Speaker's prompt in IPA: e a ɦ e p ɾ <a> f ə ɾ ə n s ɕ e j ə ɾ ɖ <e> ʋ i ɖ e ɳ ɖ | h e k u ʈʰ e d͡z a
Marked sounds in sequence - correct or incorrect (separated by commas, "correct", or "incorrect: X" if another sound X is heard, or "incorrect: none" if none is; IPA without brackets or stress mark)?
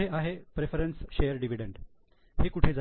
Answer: incorrect: e, incorrect: i